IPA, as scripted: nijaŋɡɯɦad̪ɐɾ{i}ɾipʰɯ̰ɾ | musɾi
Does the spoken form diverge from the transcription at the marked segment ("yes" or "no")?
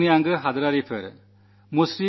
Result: yes